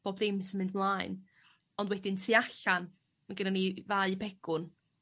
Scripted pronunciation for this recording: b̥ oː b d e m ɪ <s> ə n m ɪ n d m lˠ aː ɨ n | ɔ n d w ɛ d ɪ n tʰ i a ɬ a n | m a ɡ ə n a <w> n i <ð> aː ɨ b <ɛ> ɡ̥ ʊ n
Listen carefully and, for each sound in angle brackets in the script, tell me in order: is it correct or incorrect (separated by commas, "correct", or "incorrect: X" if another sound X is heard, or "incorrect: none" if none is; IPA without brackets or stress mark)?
correct, incorrect: none, incorrect: v, correct